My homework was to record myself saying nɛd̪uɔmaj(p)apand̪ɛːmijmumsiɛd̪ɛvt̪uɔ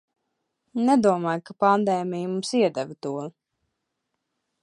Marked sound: incorrect: k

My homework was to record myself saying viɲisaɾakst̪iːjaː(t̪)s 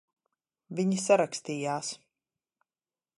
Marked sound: incorrect: none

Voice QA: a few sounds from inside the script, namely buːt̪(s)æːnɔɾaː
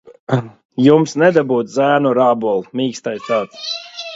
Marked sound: incorrect: z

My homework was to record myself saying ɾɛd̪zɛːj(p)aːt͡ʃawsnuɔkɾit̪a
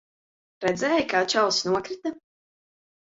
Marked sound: incorrect: k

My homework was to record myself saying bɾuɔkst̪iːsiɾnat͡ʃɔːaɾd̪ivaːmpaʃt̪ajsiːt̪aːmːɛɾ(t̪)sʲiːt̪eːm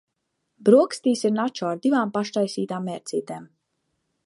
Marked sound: correct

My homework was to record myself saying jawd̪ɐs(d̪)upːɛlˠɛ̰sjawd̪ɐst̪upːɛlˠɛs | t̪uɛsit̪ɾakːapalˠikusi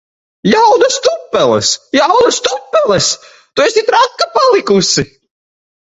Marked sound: incorrect: t̪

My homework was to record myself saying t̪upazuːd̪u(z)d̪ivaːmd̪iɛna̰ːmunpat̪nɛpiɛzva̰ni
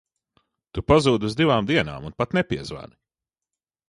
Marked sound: correct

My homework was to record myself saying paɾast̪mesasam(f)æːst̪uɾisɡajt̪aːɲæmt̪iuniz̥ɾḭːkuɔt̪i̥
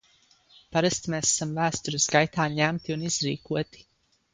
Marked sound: incorrect: v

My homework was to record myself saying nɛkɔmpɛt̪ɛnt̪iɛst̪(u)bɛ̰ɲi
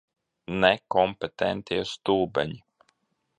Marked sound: incorrect: uː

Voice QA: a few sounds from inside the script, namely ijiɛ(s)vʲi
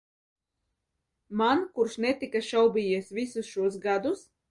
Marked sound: correct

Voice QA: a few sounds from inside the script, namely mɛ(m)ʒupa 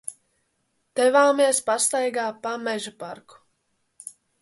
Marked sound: incorrect: none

